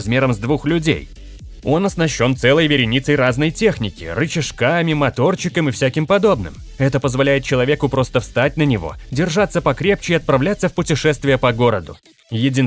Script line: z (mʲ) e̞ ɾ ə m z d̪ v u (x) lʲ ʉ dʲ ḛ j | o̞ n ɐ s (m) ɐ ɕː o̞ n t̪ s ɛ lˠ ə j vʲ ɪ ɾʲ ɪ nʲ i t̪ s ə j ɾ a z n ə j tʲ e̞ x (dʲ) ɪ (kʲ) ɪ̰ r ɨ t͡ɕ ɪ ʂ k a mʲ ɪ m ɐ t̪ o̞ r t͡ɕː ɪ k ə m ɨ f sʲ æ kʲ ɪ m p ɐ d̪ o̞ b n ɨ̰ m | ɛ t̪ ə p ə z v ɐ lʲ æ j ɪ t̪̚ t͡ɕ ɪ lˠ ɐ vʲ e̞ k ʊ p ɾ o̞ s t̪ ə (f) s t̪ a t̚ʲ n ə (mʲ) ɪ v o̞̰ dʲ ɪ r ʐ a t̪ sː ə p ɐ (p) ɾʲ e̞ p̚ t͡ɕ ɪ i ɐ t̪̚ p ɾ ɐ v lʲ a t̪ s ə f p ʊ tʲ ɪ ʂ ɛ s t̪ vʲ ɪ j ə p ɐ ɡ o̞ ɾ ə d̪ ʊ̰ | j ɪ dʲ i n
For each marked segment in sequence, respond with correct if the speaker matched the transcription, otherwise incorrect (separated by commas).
correct, correct, incorrect, incorrect, correct, correct, incorrect, incorrect